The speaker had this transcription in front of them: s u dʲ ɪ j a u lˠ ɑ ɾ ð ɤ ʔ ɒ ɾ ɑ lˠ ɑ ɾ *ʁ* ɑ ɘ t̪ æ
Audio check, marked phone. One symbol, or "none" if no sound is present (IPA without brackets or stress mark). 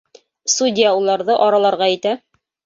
ʁ